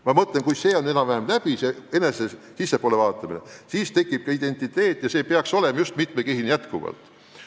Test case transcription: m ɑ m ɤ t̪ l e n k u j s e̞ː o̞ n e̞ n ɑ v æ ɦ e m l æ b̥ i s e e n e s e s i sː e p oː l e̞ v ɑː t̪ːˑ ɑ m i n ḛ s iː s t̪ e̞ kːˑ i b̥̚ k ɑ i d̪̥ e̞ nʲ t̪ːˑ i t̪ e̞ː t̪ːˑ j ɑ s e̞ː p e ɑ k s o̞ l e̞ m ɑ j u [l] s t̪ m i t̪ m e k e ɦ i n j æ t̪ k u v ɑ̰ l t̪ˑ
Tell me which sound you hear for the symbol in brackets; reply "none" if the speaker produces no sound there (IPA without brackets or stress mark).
none